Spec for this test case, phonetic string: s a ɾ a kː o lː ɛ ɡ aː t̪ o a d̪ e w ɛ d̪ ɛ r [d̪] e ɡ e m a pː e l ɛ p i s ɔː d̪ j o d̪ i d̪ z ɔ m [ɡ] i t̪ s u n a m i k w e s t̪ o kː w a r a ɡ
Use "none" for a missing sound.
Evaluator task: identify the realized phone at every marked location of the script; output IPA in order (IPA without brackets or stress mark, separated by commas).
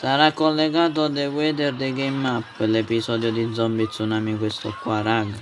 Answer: d̪, b